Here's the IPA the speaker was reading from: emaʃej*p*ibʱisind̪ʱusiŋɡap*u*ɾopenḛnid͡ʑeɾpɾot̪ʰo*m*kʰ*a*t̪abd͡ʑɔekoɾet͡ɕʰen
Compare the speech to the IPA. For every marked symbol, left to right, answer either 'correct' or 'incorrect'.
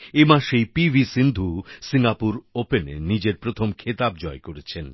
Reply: correct, correct, correct, incorrect: e

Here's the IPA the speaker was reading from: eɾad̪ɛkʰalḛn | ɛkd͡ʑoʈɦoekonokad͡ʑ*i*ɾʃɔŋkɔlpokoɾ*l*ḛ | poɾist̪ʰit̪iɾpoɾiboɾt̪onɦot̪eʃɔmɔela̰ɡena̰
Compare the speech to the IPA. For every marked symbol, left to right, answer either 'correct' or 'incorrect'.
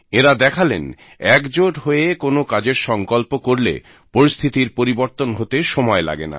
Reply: incorrect: e, correct

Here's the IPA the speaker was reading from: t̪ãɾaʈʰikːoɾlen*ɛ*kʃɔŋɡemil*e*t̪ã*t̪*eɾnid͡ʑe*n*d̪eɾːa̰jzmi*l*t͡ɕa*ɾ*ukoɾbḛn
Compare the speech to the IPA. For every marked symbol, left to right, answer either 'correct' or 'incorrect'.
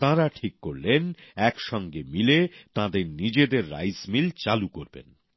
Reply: correct, correct, incorrect: d̪, incorrect: none, correct, incorrect: l

